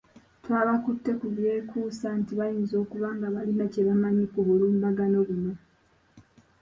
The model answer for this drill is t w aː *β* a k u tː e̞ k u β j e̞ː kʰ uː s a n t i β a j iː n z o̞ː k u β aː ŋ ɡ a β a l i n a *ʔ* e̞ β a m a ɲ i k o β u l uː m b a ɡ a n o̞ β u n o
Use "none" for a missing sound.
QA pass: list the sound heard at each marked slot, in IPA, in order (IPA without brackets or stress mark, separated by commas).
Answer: β, c